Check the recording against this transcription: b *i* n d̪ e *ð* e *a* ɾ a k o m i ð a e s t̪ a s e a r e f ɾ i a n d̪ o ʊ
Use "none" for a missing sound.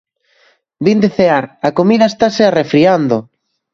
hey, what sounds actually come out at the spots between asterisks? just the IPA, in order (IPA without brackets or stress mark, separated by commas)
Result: i, θ, a